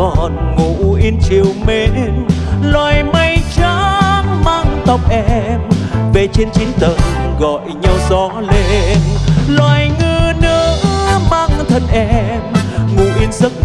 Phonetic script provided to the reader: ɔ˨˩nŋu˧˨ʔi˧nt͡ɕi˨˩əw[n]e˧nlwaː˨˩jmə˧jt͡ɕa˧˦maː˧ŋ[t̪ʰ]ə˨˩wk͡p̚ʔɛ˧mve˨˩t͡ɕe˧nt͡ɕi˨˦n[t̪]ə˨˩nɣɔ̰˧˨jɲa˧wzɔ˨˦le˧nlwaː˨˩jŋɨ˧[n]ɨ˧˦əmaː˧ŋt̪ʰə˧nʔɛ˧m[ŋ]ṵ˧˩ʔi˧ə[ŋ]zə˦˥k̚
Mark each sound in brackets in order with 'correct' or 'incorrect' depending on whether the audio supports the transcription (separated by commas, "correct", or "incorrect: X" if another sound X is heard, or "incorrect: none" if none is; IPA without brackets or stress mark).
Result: incorrect: m, incorrect: t̪, correct, correct, correct, incorrect: n